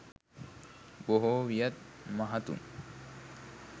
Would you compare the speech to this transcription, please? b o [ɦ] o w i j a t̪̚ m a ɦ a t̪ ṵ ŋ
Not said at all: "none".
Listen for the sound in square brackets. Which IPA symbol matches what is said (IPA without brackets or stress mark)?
ɦ